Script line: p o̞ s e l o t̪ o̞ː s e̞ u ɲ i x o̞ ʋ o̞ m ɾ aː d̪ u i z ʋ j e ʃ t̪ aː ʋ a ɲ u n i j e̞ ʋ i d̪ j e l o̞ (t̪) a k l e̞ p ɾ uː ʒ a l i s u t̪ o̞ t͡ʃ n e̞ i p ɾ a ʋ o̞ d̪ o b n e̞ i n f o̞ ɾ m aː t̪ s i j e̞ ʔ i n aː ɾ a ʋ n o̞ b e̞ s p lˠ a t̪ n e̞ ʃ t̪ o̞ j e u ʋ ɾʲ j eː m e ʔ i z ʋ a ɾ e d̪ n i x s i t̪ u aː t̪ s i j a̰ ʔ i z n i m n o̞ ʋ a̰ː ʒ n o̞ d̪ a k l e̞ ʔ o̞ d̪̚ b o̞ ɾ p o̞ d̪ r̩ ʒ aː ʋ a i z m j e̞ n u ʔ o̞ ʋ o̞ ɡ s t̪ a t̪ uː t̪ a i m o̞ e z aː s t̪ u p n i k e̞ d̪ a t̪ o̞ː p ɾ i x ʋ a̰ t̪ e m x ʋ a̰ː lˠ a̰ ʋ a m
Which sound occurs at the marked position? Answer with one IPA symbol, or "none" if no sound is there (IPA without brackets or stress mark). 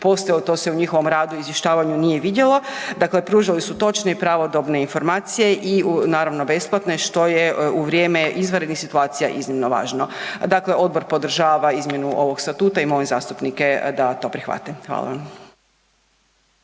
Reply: d̪